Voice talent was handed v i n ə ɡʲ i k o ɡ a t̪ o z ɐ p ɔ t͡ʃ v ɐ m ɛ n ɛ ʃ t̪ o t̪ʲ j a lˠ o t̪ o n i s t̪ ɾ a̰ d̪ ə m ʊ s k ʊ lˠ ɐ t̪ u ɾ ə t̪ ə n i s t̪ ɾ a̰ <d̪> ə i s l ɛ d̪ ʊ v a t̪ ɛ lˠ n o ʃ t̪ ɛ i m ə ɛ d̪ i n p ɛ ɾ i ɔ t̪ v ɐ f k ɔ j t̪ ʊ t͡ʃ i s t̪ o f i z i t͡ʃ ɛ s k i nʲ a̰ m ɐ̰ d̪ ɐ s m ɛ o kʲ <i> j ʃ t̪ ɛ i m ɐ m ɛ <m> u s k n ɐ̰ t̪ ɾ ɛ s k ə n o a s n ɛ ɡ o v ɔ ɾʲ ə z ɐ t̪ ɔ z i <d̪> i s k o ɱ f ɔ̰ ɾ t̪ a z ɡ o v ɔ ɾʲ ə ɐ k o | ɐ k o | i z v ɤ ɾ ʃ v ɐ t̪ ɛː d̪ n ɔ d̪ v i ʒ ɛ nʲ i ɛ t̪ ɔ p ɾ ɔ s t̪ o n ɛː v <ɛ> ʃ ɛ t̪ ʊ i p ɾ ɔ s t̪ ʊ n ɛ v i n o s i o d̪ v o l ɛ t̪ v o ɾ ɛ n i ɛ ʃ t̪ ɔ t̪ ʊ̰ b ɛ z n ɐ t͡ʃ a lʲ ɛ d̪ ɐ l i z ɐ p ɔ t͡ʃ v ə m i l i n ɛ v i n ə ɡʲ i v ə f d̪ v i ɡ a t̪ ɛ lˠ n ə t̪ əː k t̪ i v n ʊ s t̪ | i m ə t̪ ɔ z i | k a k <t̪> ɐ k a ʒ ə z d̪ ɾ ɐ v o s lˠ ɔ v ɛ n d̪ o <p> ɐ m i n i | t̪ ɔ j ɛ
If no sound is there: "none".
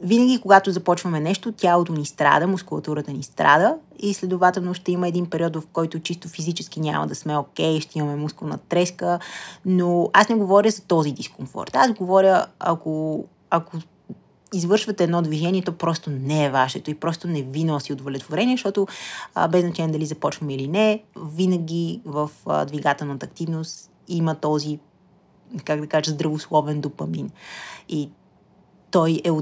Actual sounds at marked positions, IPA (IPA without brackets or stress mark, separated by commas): d̪, ɛ, m, d̪, a, d̪, p